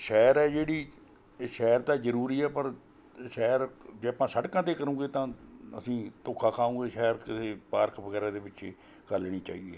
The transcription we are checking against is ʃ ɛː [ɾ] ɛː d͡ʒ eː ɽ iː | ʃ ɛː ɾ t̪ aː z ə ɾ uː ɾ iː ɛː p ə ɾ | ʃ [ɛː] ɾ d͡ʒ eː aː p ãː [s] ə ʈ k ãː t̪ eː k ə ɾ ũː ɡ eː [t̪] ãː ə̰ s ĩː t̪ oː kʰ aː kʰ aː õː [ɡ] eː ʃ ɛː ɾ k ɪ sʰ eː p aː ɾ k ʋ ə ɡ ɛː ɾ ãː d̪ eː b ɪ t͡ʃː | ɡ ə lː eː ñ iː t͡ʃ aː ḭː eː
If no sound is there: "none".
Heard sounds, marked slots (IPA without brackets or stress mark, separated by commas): ɾ, ɛː, s, t̪, ɡ